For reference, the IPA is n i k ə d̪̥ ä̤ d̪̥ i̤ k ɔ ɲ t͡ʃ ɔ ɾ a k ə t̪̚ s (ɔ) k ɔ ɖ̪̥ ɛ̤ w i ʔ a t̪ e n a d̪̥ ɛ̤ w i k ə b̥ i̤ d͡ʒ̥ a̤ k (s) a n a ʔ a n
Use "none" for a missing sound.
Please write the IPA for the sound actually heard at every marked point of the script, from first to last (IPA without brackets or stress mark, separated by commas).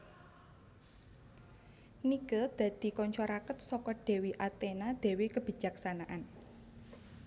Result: ɔ, s